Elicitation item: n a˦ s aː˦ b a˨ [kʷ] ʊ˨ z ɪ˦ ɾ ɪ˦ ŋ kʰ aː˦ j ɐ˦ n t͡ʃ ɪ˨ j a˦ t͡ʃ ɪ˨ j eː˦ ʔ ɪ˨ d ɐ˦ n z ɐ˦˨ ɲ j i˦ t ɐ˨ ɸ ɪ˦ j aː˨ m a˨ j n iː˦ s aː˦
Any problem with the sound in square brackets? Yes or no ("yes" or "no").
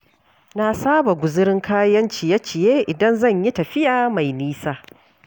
yes